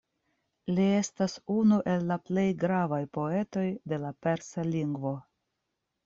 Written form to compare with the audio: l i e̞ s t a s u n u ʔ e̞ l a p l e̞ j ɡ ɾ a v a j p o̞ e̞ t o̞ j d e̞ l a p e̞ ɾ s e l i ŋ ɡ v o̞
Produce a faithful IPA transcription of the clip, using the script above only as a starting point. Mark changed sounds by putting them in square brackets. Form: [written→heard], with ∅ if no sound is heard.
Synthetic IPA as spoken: l i e̞ s t a s u n u ʔ e̞ [l→lː] a p l e̞ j ɡ ɾ a v a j p o̞ e̞ t o̞ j d e̞ l a p e̞ ɾ s [e→a] l i ŋ ɡ v o̞